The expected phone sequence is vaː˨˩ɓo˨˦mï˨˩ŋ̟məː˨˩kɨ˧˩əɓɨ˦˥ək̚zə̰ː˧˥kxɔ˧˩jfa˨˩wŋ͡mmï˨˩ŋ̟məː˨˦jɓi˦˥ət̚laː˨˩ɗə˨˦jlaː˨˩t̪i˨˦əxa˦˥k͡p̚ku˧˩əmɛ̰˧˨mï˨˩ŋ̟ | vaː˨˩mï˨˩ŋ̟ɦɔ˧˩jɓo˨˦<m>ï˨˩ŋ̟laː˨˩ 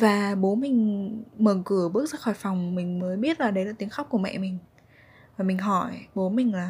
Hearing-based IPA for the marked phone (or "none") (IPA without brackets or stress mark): m